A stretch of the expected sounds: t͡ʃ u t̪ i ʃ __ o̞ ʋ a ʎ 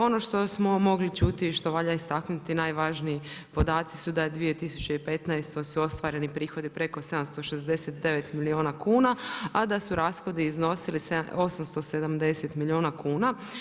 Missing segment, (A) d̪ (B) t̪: B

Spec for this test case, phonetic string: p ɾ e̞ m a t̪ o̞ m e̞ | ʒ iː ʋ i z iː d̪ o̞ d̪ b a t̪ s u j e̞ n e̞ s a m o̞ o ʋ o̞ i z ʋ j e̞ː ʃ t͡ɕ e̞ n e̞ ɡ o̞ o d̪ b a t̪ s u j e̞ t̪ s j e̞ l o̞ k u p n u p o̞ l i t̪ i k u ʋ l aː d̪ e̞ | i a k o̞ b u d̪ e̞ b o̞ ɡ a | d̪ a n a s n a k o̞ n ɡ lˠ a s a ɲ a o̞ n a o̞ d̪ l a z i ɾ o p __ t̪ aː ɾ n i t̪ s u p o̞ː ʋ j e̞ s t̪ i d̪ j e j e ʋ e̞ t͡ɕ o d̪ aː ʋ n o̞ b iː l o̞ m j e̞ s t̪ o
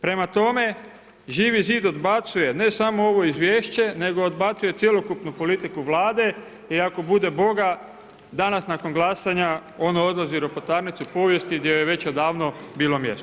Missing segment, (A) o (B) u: A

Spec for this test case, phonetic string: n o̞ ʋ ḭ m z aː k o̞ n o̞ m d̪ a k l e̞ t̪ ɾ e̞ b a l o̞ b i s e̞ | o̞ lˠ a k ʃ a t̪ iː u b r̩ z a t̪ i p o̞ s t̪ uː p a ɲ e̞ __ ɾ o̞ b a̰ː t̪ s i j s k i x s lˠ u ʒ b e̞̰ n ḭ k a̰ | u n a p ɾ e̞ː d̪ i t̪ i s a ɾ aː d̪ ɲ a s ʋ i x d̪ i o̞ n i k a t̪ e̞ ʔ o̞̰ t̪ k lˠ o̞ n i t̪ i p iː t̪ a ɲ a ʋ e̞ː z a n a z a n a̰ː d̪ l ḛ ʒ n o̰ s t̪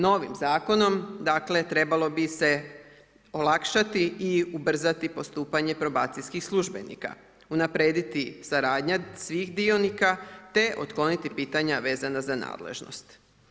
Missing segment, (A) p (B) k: A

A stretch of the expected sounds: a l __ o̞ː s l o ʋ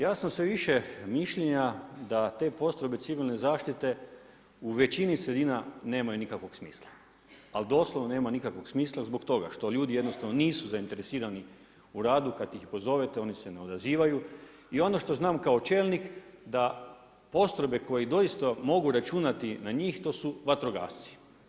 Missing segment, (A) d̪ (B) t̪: A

